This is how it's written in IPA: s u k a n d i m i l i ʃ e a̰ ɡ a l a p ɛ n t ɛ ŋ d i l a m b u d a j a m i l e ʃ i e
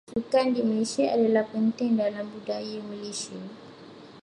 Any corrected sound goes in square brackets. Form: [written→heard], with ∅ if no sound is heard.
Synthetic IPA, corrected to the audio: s u k a n d i m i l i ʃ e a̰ [ɡ→d] a l a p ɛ n t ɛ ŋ d [i→a] l a m b u d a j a m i l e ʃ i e